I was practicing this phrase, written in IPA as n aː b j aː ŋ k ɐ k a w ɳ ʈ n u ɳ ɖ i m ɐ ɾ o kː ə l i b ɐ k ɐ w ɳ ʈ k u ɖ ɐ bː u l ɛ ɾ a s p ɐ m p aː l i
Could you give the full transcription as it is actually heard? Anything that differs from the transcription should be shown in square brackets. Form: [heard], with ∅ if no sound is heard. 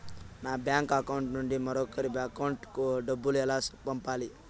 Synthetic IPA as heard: n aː b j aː ŋ k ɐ k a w ɳ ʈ n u ɳ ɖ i m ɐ ɾ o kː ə [ɾ] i b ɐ k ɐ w ɳ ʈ k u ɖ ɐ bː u l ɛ [l] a s p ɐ m p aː l i